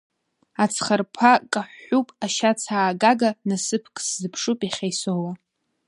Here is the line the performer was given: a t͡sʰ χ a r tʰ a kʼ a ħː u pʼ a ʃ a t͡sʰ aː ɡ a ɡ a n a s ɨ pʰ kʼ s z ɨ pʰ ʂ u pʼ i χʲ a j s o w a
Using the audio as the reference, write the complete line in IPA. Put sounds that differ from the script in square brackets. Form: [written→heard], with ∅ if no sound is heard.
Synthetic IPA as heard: a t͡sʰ χ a r [tʰ→pʰ] a kʼ a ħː u pʼ a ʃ a t͡sʰ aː ɡ a ɡ a n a s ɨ pʰ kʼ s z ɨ pʰ ʂ u pʼ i χʲ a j s o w a